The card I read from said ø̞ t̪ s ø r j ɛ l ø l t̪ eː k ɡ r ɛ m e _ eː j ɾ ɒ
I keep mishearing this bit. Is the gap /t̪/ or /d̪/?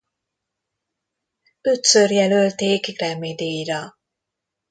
d̪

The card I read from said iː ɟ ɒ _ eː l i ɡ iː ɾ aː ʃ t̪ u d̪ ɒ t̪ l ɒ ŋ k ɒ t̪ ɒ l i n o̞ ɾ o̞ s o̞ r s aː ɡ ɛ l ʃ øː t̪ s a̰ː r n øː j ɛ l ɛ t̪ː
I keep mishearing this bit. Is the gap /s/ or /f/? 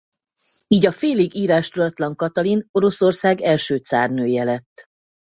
f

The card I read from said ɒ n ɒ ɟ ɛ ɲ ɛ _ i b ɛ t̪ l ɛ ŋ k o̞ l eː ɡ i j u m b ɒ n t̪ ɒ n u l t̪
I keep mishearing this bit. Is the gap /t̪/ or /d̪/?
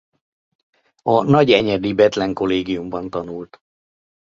d̪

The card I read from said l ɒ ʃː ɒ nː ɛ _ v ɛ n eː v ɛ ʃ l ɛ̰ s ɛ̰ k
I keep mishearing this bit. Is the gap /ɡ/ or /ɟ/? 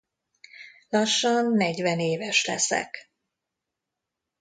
ɟ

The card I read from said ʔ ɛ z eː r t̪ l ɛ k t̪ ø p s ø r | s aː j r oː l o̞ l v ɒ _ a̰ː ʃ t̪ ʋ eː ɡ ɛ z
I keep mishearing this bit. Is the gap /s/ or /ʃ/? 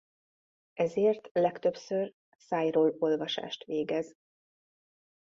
ʃ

